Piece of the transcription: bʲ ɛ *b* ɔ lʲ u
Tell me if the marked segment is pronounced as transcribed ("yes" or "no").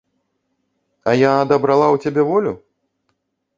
no